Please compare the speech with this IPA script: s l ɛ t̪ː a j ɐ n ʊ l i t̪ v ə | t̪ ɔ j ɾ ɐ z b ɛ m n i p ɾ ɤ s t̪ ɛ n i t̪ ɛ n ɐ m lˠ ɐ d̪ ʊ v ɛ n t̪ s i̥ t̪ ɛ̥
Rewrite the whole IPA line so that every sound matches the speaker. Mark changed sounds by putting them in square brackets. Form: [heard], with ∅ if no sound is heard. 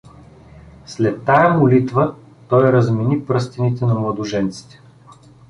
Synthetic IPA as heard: s l ɛ t̪ː a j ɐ [m] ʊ l i t̪ v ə | t̪ ɔ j ɾ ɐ z [m] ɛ [∅] n i p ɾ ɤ s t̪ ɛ n i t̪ ɛ n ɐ m lˠ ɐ d̪ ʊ [ʒ] ɛ n t̪ s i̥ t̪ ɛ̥